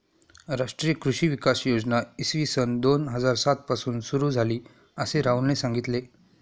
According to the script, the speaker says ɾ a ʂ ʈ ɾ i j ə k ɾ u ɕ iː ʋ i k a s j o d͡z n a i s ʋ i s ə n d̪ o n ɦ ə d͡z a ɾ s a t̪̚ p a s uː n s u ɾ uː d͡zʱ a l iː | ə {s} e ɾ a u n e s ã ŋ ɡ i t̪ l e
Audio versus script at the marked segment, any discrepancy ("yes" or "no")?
no